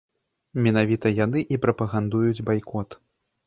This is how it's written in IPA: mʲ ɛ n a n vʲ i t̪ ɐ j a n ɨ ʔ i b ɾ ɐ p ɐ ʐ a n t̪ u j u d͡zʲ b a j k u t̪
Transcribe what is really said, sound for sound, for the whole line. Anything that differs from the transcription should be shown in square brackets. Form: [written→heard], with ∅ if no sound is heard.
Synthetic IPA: mʲ ɛ n a [n→∅] vʲ i t̪ ɐ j a n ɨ ʔ i [b→p] ɾ ɐ p ɐ [ʐ→ɣ] a n [t̪→d̪] u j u d͡zʲ b a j k [u→ɔ] t̪